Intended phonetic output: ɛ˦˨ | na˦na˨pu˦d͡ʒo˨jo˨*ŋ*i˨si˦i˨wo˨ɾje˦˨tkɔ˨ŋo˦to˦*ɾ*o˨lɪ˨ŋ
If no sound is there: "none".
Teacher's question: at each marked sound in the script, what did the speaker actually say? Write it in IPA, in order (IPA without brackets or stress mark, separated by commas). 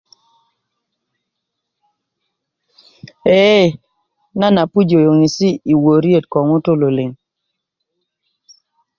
ŋ, l